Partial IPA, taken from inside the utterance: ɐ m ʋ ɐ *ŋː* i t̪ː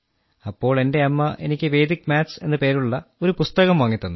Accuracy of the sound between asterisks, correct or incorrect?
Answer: correct